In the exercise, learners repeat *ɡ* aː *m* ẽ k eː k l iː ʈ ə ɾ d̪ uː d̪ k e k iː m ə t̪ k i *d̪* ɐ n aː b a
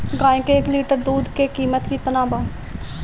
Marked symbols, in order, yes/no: yes, no, no

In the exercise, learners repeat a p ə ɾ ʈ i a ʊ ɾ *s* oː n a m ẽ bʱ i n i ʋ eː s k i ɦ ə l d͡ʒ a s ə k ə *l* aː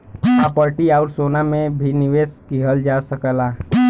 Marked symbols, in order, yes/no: yes, yes

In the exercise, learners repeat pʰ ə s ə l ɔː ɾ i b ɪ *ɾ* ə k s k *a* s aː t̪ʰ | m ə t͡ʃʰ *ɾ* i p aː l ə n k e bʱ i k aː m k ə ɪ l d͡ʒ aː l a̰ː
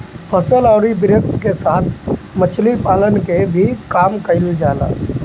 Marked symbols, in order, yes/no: yes, no, no

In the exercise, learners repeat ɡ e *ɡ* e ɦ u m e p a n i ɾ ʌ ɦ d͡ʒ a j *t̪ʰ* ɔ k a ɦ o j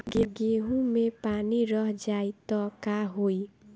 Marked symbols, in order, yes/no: yes, no

